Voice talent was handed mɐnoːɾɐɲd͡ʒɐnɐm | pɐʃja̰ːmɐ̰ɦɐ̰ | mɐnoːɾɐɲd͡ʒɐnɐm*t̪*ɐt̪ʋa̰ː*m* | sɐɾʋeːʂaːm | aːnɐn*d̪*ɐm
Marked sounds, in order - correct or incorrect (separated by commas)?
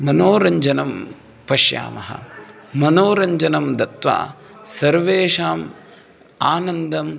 incorrect, incorrect, correct